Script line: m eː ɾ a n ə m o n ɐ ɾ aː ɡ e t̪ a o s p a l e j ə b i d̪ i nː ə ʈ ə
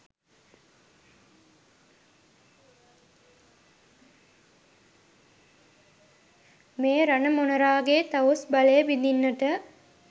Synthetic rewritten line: m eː ɾ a n ə m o n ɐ ɾ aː ɡ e t̪ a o s b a l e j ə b i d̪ i nː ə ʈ ə